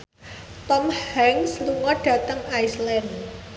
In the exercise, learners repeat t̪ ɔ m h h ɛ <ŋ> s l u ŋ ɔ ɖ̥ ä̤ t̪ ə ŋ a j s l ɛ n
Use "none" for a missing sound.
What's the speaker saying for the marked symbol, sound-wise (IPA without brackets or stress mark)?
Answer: ŋ